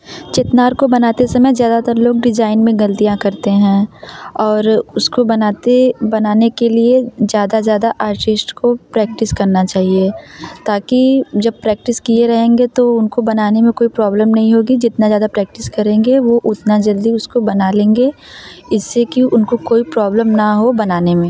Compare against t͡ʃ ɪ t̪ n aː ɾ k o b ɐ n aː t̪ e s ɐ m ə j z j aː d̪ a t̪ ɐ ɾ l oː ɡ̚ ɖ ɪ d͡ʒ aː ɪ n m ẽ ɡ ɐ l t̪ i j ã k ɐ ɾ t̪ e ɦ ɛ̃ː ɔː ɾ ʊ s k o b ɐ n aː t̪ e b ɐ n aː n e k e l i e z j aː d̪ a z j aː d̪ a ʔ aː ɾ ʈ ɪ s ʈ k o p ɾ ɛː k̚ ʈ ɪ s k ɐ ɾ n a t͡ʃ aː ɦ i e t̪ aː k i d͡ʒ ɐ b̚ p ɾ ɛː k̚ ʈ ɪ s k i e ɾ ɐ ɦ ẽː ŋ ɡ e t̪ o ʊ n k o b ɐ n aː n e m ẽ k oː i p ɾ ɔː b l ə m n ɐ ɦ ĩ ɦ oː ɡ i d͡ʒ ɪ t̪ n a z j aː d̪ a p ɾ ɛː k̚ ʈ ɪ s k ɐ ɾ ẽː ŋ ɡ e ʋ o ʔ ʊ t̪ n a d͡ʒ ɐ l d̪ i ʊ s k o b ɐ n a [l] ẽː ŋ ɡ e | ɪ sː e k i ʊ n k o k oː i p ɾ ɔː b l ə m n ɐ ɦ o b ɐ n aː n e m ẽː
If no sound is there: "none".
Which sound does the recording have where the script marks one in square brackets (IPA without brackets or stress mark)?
l